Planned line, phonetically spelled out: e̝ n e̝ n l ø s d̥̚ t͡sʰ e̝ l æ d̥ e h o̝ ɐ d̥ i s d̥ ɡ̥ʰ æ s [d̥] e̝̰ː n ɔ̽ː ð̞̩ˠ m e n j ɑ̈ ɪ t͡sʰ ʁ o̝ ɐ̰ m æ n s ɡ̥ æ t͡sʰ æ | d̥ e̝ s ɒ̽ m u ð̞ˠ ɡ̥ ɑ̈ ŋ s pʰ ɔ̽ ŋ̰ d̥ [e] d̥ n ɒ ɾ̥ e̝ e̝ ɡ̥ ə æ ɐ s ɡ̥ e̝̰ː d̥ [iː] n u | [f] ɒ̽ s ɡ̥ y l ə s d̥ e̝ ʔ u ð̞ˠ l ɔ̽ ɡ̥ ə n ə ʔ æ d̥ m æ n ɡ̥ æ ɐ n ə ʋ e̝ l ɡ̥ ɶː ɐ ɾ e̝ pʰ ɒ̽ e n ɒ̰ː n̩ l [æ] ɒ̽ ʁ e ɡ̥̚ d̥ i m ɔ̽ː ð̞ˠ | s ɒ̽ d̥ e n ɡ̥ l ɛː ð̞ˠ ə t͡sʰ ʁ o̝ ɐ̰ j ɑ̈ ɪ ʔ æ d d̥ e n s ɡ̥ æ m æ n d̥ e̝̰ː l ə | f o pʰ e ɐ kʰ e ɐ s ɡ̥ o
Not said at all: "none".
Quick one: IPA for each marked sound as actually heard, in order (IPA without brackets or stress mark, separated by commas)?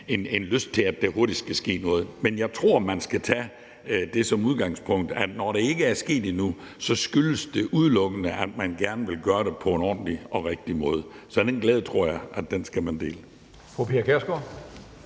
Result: ɡ̥, æ, i, s, i